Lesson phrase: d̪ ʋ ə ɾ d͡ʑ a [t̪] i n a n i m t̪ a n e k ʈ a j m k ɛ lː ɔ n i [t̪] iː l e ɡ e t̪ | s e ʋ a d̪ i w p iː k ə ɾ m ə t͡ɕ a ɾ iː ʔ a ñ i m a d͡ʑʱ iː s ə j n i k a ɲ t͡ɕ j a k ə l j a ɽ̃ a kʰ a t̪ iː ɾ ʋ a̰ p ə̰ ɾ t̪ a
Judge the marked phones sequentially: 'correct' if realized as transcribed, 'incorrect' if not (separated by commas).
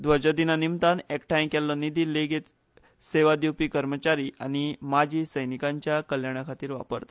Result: incorrect, incorrect